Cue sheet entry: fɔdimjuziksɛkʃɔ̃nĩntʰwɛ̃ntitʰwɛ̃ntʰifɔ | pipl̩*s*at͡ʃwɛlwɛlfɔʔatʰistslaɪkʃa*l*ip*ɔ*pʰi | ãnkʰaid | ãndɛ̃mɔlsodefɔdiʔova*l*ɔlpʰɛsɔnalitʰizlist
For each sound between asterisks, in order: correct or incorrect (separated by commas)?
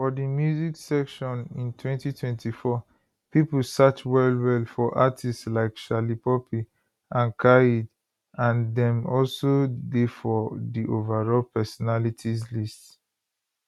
correct, correct, correct, incorrect